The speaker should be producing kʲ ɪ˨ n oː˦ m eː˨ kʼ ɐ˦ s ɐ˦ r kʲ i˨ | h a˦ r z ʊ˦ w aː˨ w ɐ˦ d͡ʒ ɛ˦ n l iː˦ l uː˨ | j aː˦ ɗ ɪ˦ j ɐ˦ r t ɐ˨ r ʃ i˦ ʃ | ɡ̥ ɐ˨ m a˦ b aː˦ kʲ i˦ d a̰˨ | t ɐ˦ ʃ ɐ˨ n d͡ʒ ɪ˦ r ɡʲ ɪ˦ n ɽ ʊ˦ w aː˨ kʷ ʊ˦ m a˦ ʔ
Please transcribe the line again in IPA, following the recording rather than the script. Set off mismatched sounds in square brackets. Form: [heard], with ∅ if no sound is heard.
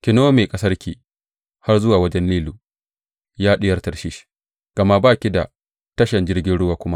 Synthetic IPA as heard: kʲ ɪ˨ n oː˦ m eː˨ kʼ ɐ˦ s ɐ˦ r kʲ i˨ | h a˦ r z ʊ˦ w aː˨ w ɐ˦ d͡ʒ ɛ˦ n l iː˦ l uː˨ | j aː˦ ɗ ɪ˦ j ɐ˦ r t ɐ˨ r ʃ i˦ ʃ | ɡ̥ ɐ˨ m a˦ b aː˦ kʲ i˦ d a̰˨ | t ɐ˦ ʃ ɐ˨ n d͡ʒ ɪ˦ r ɡʲ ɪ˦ n ɽ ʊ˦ w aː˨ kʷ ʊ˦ m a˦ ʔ